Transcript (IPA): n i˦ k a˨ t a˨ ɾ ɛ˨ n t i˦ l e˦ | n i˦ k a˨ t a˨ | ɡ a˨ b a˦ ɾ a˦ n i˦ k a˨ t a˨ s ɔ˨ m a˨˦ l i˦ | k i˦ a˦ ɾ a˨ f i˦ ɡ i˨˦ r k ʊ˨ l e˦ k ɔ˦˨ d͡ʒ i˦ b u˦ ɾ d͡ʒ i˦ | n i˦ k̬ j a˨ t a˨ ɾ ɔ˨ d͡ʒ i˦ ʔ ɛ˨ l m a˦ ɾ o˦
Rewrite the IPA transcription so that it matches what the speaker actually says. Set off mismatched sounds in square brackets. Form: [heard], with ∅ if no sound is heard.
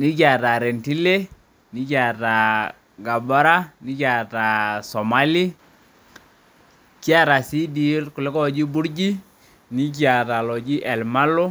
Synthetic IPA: n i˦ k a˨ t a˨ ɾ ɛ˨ n t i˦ l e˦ | n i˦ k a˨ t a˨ | ɡ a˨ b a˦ ɾ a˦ n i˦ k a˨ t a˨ s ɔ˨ m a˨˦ l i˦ | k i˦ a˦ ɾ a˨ [s] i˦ [d] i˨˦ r k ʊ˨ l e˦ k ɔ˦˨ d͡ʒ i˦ b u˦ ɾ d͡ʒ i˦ | n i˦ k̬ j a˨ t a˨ [l] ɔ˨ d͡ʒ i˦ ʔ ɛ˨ l m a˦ [l] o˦

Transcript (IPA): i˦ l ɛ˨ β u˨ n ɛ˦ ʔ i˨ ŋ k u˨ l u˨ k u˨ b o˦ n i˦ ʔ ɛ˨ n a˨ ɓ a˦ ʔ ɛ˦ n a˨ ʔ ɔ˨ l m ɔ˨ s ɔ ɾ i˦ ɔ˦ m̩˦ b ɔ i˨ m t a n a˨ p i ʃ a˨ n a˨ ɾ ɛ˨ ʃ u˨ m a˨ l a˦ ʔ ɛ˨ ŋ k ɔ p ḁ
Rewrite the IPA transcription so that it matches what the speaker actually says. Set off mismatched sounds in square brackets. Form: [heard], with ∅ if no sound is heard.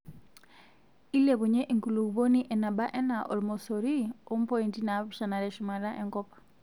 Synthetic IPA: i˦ l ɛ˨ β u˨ [ɲ] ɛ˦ ʔ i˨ ŋ k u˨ l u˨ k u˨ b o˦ n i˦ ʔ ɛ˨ n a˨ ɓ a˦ ʔ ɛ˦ n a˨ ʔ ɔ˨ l m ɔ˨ s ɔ ɾ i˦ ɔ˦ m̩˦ [p] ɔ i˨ [n] t [i] n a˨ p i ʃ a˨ n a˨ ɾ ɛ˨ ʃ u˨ m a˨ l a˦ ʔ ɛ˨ ŋ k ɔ p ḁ

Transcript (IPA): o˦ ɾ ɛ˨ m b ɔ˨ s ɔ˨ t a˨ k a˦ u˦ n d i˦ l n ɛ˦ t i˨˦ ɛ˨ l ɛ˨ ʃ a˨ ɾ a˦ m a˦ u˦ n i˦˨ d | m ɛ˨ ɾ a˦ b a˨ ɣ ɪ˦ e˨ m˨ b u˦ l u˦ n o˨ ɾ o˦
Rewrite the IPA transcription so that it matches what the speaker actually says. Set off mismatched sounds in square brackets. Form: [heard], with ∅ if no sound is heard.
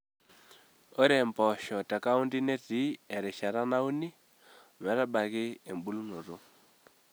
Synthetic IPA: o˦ ɾ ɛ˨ m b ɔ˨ [ʃ] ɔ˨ t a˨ k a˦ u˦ n d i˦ [∅] n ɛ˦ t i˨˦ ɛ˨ [ɾ] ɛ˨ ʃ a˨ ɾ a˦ [n] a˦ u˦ n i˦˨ [∅] | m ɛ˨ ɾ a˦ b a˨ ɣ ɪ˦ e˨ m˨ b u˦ l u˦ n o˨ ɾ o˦

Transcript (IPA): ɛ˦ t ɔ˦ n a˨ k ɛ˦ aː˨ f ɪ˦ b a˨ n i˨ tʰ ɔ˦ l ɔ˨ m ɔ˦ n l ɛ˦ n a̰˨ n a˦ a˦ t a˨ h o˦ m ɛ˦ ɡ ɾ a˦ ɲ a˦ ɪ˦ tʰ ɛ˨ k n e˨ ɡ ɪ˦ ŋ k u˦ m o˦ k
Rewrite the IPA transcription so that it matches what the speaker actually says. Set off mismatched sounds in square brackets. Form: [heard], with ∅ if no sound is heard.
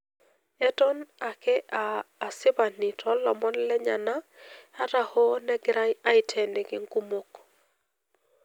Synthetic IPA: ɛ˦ t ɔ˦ n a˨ k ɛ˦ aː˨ [s] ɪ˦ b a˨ n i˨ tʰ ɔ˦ l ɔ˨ m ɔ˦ n l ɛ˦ [ɲ] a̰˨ n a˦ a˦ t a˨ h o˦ [n] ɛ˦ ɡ ɾ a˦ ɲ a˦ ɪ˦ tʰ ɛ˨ [∅] n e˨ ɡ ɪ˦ ŋ k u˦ m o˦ k

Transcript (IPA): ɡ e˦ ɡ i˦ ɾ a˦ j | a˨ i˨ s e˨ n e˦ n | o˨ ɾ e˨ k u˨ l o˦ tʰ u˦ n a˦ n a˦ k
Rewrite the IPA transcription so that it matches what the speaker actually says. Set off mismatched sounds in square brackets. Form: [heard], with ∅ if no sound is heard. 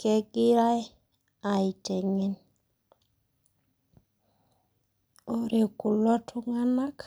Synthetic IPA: [k] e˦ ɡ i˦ ɾ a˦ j | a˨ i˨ [t] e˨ [ŋ] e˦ n | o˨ ɾ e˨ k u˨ l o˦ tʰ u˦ [ŋ] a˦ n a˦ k

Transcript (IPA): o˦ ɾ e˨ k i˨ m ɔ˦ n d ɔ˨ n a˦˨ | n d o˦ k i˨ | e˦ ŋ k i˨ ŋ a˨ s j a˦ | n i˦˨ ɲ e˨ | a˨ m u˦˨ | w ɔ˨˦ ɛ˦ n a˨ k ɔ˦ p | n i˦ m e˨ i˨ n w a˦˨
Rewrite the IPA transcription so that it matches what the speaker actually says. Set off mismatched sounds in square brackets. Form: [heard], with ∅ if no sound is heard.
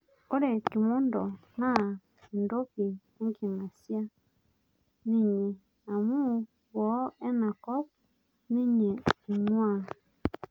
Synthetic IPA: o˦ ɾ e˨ k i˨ m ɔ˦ n d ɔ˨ n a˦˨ | n d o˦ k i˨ | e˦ ŋ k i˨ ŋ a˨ s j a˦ | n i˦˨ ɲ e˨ | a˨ m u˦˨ | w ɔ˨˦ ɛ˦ n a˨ k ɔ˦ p | n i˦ [ɲ] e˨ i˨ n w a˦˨

